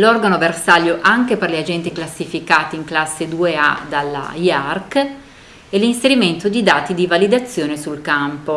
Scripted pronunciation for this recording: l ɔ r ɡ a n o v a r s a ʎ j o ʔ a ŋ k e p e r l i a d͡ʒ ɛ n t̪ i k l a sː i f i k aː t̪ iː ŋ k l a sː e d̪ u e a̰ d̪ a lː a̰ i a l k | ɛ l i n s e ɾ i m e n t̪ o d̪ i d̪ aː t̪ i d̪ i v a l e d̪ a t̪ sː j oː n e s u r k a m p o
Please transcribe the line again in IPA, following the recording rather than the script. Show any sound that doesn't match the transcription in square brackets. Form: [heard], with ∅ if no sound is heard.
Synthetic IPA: l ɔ r ɡ a n o v [e] r s a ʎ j o ʔ a ŋ k e p e r l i a d͡ʒ ɛ n t̪ i k l a sː i f i k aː t̪ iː ŋ k l a sː e d̪ u e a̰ d̪ a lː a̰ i a [r] k | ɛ l i n s e ɾ i m e n t̪ o d̪ i d̪ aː t̪ i d̪ i v a l [i] d̪ a t̪ sː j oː n e s u [l] k a m p o